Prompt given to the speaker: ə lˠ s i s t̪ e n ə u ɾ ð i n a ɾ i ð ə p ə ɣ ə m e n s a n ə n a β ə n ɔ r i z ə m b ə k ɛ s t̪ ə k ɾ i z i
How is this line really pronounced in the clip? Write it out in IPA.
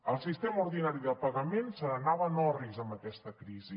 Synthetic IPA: ə lˠ s i s t̪ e m ə u ɾ ð i n a ɾ i ð ə p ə ɣ ə m e n s ə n ə n a β ə n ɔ r i z ə m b ə k ɛ s t̪ ə k ɾ i z i

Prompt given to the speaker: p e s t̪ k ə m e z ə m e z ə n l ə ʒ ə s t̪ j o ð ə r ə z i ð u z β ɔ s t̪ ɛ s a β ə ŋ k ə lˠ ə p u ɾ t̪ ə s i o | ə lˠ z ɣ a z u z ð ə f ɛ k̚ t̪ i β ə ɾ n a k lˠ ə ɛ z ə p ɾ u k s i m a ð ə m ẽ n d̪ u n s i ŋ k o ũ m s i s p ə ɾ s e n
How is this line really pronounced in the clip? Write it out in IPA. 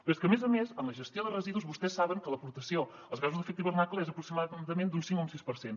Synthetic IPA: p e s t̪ k ə m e z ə m e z ə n l ə ʒ ə s t̪ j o ð ə r ə z i ð u z β u s t̪ ɛ s a β ə ŋ k ə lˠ ə p u ɾ t̪ ə s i o | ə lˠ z ɣ a z u z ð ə f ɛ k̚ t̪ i β ə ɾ n a k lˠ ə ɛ z ə p ɾ u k s i m a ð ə m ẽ n d̪ u n s i ŋ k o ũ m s i s p ə ɾ s e n

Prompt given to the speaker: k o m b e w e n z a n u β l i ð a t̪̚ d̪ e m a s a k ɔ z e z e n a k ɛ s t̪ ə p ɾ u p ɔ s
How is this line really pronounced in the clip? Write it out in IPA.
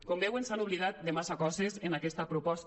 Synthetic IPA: k o m b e w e n s a n u β l i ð a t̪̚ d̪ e m a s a k ɔ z e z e n a k ɛ s t̪ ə p ɾ u p ɔ s

